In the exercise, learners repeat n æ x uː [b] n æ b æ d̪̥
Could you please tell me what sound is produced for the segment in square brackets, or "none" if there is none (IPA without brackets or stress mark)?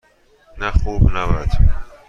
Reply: b